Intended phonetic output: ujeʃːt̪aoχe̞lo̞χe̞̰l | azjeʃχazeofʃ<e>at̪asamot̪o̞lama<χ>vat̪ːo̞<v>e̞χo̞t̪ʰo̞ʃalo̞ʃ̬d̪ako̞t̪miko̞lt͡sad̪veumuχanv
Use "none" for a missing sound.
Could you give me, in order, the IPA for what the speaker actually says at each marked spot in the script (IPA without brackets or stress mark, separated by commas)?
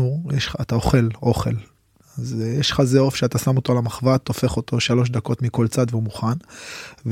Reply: e, χ, f